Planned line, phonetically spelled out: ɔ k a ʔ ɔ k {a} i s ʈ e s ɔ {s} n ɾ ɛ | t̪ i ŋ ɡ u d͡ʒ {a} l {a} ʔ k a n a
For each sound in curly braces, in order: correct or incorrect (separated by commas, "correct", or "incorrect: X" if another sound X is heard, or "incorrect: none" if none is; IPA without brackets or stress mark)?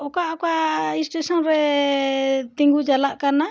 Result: correct, incorrect: none, correct, correct